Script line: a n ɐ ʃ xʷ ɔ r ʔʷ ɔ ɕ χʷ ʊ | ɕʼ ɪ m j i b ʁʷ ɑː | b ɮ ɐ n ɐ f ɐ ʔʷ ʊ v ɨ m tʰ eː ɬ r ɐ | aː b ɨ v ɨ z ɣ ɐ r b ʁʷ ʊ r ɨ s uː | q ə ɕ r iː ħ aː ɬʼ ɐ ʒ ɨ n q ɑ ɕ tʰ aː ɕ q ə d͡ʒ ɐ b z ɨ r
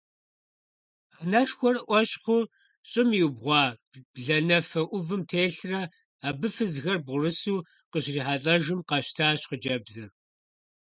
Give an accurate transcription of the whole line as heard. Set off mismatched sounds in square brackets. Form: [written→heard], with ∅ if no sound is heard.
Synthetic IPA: a n ɐ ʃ xʷ ɔ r ʔʷ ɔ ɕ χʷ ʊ | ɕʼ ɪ m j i b ʁʷ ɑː | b ɮ ɐ n ɐ f ɐ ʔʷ ʊ v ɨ m tʰ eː ɬ r ɐ | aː b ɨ [v→f] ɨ z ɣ ɐ r b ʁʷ ʊ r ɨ s uː | q ə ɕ r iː ħ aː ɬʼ ɐ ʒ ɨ [n→m] q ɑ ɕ tʰ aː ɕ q ə d͡ʒ ɐ b z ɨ r